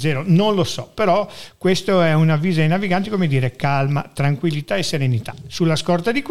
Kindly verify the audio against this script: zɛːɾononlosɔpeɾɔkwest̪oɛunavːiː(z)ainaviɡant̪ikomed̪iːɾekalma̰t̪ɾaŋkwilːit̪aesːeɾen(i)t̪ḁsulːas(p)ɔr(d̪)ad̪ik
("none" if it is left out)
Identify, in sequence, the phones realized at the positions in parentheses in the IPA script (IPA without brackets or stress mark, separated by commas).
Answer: z, i, k, t̪